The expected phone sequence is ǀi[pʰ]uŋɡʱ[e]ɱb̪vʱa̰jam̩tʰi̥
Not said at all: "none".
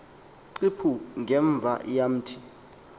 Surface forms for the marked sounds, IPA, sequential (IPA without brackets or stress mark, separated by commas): pʰ, ɛ